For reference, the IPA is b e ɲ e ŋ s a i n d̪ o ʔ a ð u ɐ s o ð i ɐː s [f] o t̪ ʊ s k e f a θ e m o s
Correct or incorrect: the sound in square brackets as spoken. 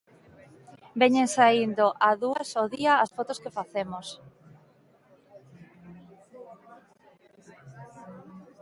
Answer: correct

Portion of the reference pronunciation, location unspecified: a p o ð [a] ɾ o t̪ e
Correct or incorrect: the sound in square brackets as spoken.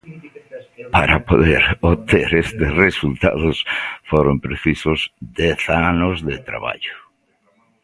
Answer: incorrect: e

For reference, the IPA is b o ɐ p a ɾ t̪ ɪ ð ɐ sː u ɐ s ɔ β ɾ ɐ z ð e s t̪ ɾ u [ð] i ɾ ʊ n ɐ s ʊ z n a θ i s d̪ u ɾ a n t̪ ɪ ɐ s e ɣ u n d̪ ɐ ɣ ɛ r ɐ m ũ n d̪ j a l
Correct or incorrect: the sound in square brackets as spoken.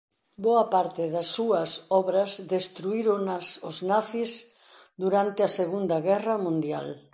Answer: incorrect: none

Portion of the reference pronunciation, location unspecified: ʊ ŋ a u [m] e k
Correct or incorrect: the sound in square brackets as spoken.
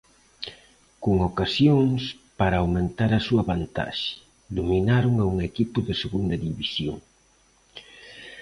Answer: incorrect: ŋ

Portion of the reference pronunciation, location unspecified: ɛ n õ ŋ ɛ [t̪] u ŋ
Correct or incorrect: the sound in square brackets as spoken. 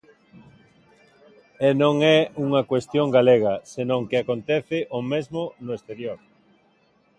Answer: incorrect: none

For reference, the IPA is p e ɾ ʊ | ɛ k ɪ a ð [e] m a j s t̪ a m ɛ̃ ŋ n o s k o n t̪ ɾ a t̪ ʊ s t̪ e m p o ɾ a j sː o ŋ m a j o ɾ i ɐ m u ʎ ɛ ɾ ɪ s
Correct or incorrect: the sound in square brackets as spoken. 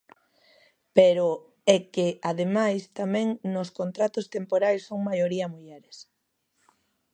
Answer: correct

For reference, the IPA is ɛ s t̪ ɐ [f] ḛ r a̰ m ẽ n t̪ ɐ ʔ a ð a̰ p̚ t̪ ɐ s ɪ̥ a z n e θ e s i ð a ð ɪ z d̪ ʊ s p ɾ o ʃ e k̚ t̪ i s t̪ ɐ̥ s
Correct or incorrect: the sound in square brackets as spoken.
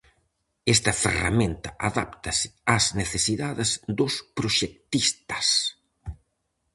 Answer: correct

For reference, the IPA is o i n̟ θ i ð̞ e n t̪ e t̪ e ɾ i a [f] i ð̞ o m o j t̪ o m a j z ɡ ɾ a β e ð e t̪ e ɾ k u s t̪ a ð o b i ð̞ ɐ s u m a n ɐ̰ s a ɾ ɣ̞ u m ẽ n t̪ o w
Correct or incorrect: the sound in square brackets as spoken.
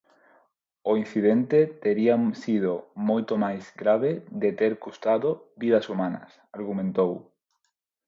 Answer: incorrect: s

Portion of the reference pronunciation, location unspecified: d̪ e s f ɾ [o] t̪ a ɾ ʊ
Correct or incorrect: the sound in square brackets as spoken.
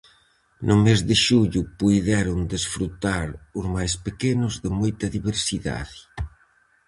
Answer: incorrect: u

